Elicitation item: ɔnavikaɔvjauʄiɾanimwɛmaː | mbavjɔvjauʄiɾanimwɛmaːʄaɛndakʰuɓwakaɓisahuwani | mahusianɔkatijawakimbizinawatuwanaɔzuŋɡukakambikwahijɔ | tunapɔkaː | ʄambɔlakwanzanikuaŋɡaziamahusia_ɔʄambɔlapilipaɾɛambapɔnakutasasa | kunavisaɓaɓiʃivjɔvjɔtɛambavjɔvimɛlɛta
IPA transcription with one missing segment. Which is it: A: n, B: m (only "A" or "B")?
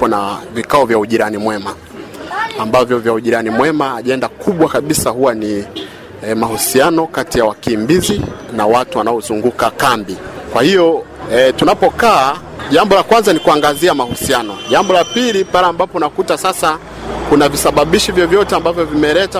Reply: A